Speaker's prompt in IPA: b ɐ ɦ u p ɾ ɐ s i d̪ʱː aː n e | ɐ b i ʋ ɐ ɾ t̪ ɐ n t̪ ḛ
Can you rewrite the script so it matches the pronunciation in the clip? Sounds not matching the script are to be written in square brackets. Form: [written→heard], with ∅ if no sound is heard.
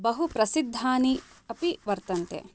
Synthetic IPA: b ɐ ɦ u p ɾ ɐ s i d̪ʱː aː n [e→i] | ɐ [b→p] i ʋ ɐ ɾ t̪ ɐ n t̪ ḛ